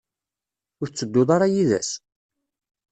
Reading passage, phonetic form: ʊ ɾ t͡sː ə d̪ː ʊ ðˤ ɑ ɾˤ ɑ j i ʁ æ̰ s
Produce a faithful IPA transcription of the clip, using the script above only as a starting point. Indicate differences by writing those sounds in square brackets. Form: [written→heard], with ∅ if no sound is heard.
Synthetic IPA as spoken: ʊ ɾ t͡sː ə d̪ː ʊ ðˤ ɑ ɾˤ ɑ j i [ʁ→ð] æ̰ s